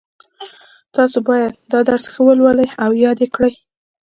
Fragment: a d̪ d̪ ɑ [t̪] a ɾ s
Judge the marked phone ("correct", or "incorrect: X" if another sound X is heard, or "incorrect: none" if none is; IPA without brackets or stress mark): incorrect: d̪